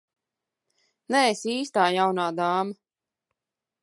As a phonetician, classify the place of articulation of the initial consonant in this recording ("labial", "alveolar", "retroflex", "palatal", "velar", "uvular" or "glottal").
alveolar